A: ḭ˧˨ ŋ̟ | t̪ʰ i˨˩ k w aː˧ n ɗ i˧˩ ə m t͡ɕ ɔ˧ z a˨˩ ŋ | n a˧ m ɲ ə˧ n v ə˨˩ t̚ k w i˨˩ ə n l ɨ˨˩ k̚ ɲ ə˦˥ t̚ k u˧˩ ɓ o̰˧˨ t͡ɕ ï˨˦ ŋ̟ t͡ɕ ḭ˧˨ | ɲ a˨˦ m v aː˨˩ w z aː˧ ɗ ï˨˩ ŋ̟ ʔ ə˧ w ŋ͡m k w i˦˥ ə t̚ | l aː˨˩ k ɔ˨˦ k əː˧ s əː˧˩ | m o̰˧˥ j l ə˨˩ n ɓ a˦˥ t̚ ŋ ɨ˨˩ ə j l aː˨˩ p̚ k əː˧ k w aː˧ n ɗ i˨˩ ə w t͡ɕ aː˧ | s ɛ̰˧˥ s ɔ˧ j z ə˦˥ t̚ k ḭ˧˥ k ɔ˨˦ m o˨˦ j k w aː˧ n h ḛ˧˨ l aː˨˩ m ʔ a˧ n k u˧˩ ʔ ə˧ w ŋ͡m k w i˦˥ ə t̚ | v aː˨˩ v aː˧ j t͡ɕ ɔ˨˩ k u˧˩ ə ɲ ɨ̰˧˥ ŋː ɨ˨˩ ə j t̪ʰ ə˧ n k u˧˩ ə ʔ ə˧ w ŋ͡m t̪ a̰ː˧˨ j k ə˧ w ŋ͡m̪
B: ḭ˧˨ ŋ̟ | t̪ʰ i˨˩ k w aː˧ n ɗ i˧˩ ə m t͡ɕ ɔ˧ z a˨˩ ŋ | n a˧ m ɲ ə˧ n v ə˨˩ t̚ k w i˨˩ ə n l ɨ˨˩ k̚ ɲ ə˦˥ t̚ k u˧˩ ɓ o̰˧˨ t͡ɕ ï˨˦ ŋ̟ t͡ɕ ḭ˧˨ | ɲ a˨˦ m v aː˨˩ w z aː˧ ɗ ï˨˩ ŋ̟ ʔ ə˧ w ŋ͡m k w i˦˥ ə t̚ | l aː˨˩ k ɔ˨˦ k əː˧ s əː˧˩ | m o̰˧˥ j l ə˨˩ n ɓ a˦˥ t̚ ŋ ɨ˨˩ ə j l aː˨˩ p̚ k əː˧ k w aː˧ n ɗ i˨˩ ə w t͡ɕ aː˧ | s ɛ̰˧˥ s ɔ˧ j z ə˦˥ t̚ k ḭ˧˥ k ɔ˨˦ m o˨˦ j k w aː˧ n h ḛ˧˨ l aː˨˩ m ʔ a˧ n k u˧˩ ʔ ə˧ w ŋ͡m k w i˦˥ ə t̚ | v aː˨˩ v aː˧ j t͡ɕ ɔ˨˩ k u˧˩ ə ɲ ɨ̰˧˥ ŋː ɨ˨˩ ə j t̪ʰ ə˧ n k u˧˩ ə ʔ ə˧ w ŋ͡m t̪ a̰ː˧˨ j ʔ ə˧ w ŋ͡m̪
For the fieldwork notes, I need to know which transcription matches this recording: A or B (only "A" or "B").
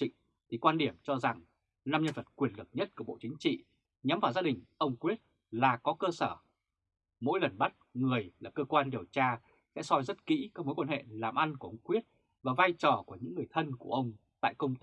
A